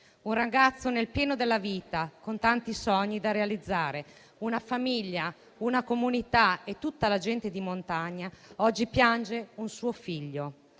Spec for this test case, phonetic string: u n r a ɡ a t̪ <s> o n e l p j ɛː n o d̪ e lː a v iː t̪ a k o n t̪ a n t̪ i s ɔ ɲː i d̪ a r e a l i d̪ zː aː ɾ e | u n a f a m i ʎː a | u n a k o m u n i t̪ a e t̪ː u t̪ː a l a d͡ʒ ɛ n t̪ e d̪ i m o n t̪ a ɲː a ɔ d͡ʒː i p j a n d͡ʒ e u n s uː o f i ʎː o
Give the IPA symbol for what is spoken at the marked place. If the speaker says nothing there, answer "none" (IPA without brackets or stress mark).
sː